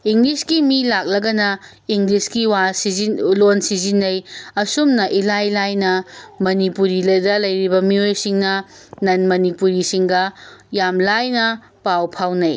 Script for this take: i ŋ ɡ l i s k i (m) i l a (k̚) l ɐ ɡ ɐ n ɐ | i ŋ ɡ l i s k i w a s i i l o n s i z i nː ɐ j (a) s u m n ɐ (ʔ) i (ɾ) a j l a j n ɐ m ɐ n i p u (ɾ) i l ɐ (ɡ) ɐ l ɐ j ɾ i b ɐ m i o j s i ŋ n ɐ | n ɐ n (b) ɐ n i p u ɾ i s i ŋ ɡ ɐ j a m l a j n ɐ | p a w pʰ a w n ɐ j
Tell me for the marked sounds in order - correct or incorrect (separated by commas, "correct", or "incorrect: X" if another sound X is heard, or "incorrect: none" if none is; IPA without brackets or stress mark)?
correct, correct, incorrect: ɐ, correct, incorrect: l, correct, incorrect: d, incorrect: m